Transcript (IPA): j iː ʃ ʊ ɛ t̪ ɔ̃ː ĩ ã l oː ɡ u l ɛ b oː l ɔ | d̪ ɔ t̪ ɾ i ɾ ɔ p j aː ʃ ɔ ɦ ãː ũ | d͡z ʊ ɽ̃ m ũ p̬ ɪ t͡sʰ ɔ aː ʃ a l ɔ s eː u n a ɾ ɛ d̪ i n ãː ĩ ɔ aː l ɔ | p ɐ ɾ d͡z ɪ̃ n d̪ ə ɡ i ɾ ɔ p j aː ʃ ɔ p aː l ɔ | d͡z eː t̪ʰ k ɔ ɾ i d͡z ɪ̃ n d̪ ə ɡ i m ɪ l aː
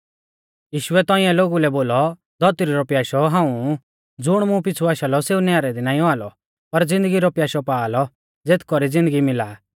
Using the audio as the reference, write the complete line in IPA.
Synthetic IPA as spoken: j iː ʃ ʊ ɛ t̪ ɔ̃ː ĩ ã l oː ɡ u l ɛ b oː l ɔ | d̪ ɔ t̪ ɾ i ɾ ɔ p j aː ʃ ɔ ɦ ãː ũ | d͡z ʊ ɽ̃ m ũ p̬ ɪ t͡sʰ u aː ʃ a l ɔ s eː u n a ɾ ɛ d̪ i n aː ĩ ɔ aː l ɔ | p ɐ ɾ d͡z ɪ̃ n d̪ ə ɡ i ɾ ɔ p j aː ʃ ɔ p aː l ɔ | d͡z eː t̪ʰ k ɔ ɾ i d͡z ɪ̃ n d̪ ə ɡ i m ɪ l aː